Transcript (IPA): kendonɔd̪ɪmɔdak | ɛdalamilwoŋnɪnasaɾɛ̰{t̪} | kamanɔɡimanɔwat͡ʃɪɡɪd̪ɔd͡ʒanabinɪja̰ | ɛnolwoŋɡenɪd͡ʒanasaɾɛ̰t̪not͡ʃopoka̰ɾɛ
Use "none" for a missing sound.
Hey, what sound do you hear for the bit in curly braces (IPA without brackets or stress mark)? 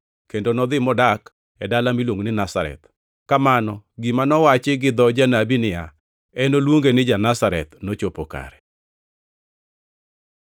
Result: t̪